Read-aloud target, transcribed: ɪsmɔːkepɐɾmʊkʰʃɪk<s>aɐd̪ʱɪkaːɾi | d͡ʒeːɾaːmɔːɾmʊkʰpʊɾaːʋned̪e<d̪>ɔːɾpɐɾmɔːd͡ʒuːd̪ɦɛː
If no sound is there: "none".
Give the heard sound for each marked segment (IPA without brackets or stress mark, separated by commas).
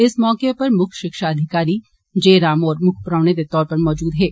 ʃ, t̪